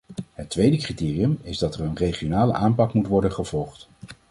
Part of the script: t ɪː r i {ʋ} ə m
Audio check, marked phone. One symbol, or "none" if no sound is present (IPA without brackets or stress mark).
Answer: none